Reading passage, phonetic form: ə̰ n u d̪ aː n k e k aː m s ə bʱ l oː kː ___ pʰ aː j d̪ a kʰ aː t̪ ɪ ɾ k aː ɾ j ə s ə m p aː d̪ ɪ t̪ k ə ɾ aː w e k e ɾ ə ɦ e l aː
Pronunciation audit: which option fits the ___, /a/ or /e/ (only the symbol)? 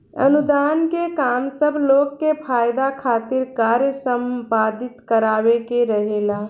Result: e